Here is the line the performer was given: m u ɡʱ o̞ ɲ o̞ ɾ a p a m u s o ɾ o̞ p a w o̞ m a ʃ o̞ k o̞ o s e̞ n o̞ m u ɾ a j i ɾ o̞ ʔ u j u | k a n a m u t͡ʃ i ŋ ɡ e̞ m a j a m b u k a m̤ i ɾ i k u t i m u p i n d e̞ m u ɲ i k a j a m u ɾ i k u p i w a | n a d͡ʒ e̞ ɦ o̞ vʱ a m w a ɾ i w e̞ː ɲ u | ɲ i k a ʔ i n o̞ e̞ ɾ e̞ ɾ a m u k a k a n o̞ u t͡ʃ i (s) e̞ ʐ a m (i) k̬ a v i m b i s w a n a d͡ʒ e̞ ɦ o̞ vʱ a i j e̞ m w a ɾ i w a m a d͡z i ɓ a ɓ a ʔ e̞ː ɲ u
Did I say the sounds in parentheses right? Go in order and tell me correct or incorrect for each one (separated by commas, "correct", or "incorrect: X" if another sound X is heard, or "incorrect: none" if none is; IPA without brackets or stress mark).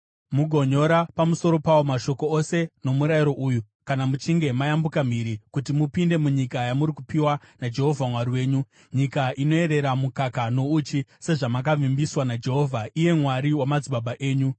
correct, incorrect: a